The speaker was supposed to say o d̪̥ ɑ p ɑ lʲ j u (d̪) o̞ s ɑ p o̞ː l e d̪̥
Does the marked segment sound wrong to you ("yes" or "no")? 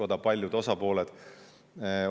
no